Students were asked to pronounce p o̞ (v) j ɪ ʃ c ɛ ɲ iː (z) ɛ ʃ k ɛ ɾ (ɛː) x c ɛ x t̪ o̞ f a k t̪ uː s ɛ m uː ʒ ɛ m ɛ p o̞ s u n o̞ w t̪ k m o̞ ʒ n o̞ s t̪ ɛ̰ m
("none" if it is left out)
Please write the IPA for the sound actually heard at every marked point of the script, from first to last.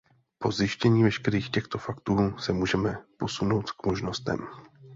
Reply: z, v, iː

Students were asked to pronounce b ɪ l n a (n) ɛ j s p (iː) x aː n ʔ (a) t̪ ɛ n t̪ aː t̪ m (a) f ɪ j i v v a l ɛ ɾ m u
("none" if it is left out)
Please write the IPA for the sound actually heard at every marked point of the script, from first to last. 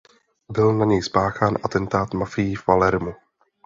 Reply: ɲ, aː, a, a

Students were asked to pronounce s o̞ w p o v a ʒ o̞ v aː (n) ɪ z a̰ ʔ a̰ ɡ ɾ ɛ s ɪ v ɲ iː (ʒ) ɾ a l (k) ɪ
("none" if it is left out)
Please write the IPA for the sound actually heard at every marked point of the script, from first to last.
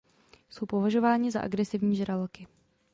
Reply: ɲ, ʒ, k

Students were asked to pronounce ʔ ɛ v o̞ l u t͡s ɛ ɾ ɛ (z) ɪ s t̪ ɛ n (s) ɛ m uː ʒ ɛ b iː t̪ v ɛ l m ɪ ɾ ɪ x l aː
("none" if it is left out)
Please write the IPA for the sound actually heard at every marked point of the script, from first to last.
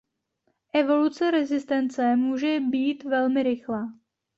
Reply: z, t͡s

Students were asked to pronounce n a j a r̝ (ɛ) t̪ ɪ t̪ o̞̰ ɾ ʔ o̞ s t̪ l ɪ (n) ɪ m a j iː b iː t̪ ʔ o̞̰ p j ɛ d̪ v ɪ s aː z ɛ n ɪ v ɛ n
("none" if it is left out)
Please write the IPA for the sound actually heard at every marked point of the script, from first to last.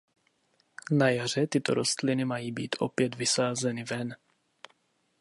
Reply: ɛ, n

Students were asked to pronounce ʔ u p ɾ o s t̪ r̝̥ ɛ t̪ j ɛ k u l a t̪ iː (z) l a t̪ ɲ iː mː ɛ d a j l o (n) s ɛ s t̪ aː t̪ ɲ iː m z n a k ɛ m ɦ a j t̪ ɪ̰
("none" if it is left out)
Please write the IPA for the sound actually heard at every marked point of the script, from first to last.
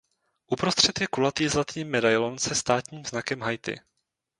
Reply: z, n

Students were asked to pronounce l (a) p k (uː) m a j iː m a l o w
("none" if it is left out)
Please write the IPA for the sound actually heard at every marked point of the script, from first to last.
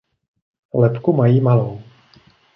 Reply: ɛ, u

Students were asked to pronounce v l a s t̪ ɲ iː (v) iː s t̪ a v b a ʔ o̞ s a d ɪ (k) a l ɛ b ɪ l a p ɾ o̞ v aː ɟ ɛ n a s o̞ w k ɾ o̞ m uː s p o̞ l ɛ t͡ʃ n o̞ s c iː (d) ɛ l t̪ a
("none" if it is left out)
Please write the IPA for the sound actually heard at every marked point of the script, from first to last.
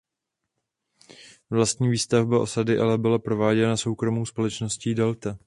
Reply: v, ʔ, d

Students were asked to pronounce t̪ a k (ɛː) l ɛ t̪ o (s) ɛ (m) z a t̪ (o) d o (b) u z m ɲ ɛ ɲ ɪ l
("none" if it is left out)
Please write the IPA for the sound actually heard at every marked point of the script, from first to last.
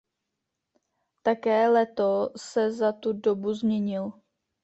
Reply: ɛː, s, none, u, b

